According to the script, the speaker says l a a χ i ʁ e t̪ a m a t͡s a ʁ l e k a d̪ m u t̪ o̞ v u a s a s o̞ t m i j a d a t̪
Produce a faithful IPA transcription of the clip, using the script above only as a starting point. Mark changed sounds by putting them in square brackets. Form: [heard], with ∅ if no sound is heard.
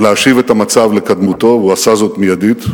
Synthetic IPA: l [e] a [ʃ] i [v] e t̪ a m a t͡s a [v] l e k a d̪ m u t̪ o̞ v u a s a [z] o̞ t m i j a d [i] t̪